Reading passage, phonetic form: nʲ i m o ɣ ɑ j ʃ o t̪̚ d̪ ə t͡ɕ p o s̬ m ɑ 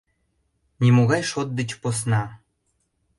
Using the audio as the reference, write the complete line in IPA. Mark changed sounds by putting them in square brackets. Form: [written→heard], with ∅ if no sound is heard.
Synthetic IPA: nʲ i m o ɣ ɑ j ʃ o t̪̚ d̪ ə t͡ɕ p o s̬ [m→n] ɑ